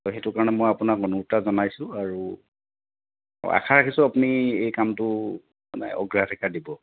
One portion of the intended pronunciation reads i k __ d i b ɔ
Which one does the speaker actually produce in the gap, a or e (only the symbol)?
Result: a